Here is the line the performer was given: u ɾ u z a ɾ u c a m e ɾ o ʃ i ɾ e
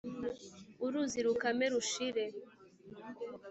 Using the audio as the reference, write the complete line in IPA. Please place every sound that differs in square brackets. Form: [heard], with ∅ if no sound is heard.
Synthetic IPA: u ɾ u z [i] ɾ u [k] a m e ɾ [u] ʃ i ɾ e